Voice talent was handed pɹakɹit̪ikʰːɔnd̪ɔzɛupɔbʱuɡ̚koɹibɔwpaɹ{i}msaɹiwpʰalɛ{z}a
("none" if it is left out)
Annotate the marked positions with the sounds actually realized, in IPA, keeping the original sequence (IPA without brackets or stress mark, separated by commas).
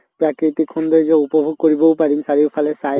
i, s